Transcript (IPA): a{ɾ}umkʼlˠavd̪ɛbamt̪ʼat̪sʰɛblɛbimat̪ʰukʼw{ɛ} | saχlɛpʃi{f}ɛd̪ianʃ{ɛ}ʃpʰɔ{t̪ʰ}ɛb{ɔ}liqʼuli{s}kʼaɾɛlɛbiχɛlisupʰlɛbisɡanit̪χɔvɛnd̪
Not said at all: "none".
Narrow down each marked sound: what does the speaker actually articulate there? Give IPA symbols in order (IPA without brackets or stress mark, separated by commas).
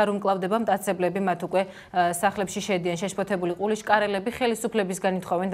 ɾ, ɛ, ʃ, ɛ, t̪ʰ, u, ʃ